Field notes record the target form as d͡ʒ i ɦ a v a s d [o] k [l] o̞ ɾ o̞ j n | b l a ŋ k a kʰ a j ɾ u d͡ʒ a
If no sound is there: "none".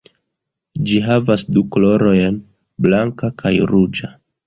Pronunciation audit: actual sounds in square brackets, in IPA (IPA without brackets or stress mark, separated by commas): u, l